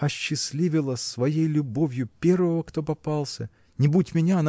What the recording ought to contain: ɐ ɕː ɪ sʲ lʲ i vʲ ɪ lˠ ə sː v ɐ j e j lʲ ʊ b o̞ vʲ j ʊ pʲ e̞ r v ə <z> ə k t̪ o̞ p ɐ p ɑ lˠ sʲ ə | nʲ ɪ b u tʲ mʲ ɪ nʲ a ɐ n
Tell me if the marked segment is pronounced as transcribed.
no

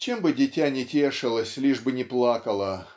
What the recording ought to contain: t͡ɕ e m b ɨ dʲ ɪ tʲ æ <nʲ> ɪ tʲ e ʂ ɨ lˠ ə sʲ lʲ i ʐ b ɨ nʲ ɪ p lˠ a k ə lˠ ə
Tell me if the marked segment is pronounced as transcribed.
yes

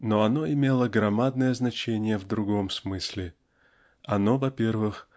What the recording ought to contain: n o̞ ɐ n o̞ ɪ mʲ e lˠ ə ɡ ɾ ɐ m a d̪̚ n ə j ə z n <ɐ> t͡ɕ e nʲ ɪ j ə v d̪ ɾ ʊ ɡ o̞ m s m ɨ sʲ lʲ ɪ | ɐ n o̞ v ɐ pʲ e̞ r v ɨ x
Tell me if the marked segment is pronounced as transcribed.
yes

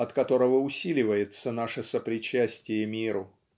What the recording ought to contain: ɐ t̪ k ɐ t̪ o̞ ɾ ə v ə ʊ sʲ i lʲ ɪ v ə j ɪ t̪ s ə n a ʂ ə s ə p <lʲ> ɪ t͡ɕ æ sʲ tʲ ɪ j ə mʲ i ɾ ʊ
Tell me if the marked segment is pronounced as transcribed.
no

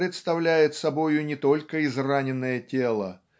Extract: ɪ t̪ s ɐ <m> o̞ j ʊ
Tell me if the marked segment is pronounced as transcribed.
no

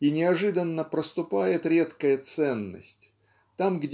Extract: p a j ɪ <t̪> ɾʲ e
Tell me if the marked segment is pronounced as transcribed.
yes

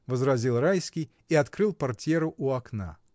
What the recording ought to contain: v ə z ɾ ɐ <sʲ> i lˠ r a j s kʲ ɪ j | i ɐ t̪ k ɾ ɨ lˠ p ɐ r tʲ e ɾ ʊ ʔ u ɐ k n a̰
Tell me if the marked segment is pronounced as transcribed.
no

